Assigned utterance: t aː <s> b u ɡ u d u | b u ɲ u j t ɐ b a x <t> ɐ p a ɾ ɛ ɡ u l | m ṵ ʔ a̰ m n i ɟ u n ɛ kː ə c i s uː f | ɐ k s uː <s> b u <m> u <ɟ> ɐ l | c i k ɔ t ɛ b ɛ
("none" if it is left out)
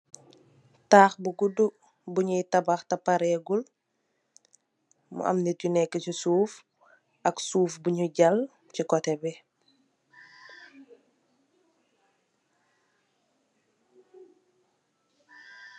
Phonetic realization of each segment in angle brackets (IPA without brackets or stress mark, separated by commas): x, t, f, ɲ, ɟ